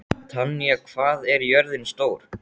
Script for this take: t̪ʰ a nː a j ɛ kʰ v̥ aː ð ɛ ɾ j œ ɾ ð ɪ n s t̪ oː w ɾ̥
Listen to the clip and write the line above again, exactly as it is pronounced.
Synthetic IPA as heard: t̪ʰ a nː i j a kʰ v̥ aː ð ɛ ɾ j œ ɾ ð ɪ n s t̪ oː w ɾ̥